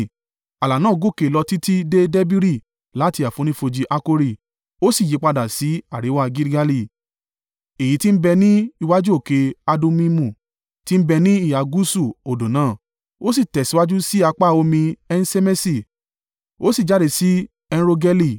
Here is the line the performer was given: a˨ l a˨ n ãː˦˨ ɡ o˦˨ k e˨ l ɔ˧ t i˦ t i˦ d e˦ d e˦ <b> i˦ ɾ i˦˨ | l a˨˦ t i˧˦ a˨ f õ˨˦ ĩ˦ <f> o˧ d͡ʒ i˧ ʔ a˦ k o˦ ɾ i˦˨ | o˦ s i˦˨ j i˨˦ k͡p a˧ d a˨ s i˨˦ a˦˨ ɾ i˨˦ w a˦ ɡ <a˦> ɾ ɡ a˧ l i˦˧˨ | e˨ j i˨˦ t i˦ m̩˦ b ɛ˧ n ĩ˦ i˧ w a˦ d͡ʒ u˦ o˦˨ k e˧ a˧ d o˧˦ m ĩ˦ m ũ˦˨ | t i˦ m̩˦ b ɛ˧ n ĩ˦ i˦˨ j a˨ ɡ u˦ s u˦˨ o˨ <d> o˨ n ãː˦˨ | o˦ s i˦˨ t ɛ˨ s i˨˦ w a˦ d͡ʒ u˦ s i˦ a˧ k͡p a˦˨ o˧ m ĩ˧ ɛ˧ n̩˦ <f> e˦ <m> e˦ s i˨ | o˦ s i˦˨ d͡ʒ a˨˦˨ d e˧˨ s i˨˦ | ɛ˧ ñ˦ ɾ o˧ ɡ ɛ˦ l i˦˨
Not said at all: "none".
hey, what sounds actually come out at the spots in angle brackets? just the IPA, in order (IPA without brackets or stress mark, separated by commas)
b, f, i˦, d, s, m